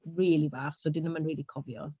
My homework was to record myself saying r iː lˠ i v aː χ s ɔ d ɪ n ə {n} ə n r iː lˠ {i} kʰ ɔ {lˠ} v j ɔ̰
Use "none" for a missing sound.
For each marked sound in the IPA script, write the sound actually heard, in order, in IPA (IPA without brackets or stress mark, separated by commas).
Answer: m, i, none